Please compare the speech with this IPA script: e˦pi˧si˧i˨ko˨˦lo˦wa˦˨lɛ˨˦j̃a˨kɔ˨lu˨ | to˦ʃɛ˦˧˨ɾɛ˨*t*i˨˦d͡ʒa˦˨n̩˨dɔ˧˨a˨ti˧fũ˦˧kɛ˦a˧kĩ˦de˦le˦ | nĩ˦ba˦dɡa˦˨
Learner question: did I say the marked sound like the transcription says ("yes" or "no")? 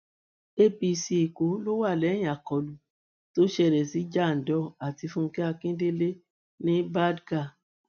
no